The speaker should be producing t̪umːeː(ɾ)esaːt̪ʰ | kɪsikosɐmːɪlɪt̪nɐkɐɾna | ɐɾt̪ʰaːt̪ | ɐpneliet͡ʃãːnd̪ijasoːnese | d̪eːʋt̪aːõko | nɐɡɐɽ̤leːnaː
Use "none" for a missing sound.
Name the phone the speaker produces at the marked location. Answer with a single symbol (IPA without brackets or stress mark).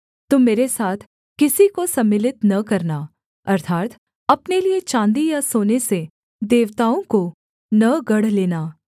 ɾ